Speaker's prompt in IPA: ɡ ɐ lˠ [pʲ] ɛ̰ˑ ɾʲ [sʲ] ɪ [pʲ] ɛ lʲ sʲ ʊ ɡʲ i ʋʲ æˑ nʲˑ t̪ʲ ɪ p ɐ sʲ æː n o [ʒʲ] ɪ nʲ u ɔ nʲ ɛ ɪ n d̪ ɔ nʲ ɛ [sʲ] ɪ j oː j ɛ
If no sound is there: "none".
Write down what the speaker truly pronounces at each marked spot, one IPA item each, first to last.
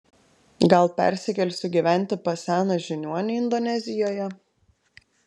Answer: pʲ, sʲ, kʲ, ʒʲ, zʲ

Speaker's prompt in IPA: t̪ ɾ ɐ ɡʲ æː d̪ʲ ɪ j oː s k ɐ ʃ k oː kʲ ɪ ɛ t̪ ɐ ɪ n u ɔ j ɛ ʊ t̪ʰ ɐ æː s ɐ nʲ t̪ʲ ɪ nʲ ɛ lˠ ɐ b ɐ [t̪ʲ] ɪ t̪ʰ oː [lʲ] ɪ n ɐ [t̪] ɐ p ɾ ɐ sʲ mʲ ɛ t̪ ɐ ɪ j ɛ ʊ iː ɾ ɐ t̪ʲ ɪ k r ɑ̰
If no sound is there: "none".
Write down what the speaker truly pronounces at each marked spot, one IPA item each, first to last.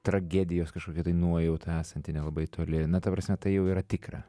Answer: none, lʲ, t̪

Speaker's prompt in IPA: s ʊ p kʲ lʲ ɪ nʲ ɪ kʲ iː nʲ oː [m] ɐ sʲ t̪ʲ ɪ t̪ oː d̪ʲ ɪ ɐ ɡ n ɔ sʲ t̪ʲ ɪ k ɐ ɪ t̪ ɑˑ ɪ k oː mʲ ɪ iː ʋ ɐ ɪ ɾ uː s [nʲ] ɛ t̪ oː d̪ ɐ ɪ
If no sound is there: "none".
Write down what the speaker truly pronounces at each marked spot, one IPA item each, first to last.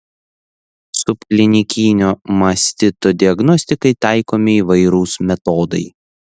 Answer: m, mʲ

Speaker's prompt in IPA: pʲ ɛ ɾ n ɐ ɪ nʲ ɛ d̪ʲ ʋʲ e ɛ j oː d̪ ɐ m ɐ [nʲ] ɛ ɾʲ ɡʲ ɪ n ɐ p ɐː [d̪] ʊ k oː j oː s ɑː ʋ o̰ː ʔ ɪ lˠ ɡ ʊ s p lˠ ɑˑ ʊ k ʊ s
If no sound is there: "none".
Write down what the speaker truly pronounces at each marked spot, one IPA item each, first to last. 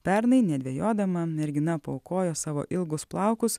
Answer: mʲ, none

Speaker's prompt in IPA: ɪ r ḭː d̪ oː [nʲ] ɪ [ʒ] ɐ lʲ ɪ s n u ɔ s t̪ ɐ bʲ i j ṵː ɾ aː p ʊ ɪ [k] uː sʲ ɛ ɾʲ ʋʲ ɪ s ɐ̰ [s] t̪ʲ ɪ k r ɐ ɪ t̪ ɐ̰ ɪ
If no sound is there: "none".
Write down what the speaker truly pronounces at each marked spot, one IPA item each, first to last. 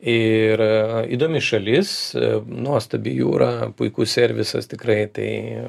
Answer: mʲ, ʃ, k, s

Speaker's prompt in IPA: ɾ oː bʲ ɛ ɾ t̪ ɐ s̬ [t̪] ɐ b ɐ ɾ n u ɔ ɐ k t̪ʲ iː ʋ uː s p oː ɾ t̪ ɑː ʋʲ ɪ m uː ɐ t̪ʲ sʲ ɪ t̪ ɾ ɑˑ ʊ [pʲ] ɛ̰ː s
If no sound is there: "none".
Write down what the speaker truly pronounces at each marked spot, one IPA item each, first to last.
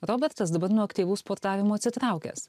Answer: d̪, kʲ

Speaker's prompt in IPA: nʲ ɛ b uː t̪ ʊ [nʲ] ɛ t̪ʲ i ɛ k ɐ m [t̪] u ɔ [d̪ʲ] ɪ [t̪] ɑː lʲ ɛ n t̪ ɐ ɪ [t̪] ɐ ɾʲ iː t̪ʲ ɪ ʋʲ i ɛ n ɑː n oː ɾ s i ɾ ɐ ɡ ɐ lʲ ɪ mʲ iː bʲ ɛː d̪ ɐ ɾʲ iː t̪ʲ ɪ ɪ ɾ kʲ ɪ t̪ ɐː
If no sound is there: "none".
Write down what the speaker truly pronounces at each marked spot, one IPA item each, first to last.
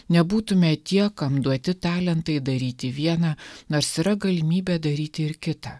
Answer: mʲ, d̪, t̪ʲ, t̪, d̪

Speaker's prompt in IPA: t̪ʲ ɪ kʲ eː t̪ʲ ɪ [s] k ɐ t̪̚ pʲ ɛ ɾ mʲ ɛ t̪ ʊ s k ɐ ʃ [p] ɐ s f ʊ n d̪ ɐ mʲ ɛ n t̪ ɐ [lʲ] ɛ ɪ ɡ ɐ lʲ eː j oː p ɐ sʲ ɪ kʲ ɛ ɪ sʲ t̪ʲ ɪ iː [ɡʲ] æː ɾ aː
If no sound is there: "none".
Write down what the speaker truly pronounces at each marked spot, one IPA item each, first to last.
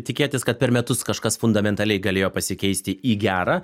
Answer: s, k, lʲ, ɡʲ

